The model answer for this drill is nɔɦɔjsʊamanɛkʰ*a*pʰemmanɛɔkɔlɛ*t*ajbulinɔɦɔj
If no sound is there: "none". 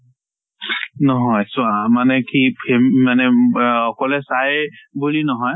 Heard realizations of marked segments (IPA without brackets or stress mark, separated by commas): i, s